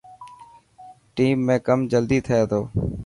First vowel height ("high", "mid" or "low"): high